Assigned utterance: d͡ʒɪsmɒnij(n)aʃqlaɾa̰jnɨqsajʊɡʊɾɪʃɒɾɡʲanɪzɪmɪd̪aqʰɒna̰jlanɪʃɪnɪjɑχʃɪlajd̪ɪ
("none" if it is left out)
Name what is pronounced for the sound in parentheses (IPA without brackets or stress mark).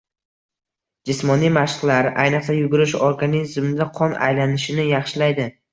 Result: m